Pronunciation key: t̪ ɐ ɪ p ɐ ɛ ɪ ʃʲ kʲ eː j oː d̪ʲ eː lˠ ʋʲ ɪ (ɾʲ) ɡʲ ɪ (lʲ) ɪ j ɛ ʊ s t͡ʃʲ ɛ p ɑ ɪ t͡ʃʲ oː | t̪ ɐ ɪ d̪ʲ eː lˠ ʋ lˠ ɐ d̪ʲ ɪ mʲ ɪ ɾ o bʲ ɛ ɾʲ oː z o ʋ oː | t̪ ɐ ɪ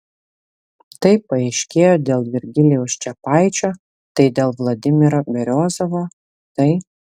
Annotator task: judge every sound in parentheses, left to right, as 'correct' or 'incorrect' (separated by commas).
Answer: correct, correct